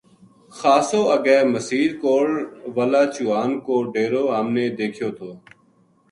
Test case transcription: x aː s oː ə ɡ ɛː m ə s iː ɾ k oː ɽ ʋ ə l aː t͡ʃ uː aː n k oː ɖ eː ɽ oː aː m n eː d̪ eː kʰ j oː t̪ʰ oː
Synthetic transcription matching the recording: x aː s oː ə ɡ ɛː m ə s iː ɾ k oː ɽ ʋ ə l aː t͡ʃ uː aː n k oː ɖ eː ɾ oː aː m n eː d̪ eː kʰ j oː t̪ʰ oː